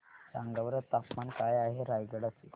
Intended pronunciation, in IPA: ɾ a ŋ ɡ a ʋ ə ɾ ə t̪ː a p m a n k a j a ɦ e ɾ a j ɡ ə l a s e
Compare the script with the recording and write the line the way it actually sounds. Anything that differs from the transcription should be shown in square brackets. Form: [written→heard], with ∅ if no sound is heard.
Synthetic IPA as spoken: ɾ a ŋ ɡ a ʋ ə ɾ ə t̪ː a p m a n k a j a ɦ e ɾ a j ɡ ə [l→ɽ] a s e